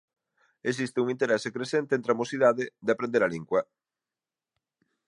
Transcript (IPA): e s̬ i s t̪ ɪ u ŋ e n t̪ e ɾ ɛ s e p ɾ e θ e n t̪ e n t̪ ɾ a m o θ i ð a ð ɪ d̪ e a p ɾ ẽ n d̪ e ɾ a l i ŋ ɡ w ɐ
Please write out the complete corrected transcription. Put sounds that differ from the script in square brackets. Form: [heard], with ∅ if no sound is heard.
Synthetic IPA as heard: e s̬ i s t̪ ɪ u ŋ [i] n t̪ e ɾ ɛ s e [k] ɾ e [s] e n t̪ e n t̪ ɾ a m o [s] i ð a ð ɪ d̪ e a p ɾ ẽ n d̪ e ɾ a l i ŋ ɡ w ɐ